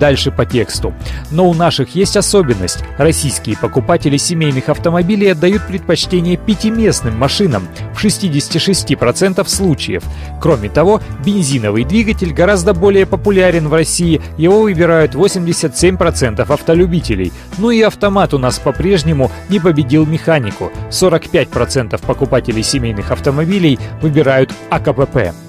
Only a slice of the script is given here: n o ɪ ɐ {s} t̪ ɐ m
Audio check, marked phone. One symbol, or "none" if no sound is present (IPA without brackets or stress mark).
f